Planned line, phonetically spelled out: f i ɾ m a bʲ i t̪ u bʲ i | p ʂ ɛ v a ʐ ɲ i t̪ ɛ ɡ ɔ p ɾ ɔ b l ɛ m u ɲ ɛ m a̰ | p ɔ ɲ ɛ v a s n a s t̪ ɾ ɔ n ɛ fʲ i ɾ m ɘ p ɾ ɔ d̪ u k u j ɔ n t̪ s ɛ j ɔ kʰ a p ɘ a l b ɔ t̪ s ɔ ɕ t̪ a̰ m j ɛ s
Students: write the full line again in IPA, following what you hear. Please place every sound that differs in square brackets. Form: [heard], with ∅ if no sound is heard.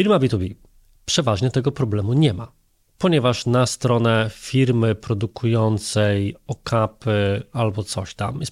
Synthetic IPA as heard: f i ɾ m a bʲ i t̪ u bʲ i | p ʂ ɛ v a ʐ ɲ [ɛ] t̪ ɛ ɡ ɔ p ɾ ɔ b l ɛ m u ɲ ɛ m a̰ | p ɔ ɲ ɛ v a [ʂ] n a s t̪ ɾ ɔ n ɛ fʲ i ɾ m ɘ p ɾ ɔ d̪ u k u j ɔ n t̪ s ɛ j ɔ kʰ a p ɘ a l b ɔ t̪ s ɔ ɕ t̪ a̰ m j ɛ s